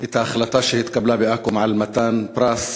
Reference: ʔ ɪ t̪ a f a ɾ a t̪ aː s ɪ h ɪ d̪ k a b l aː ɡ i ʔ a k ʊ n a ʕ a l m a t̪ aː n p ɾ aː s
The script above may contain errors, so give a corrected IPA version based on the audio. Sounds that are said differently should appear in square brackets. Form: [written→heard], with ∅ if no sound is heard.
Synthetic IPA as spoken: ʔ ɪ t̪ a [f→x] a [ɾ→l] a t̪ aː [s→ʃ] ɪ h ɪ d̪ k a b l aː [ɡ→b] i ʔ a k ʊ [n→m] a ʕ a l m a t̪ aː n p ɾ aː s